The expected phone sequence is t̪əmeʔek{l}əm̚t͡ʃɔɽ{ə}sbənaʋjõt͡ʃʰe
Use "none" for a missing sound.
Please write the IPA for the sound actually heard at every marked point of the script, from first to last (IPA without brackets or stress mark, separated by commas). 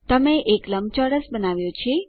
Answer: l, ə